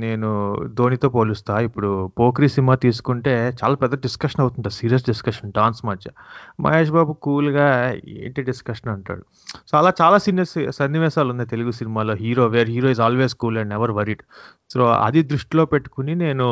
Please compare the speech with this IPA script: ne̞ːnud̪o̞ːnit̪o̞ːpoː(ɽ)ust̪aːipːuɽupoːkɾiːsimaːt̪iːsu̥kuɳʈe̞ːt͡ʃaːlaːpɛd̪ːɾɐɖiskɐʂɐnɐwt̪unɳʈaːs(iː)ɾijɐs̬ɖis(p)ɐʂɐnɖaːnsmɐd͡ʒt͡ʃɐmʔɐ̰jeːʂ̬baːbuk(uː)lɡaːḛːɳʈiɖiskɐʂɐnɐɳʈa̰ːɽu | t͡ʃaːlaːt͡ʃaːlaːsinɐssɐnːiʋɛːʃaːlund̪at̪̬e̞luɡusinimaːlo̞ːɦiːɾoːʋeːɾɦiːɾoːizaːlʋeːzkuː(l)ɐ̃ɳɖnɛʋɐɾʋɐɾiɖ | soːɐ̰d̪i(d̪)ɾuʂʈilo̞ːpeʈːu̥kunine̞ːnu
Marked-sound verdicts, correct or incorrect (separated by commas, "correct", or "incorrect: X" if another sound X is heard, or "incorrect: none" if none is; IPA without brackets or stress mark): incorrect: l, correct, incorrect: k, correct, correct, correct